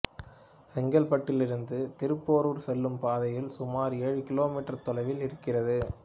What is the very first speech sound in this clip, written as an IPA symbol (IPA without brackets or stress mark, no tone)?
s